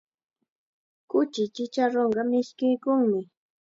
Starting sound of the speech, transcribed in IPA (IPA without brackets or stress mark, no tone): k